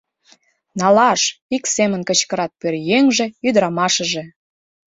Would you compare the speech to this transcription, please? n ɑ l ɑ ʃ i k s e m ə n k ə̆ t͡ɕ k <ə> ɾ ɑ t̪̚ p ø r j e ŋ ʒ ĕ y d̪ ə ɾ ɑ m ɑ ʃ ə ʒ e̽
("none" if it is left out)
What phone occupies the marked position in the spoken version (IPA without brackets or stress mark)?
ə